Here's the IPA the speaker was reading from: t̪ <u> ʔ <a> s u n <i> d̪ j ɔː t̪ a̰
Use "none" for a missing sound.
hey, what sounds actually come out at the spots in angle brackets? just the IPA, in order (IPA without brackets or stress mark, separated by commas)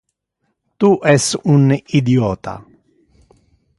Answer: u, ɛ, i